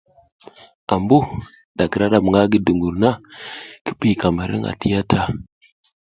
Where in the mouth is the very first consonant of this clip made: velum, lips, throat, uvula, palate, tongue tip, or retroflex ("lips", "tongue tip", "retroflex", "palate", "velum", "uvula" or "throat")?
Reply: lips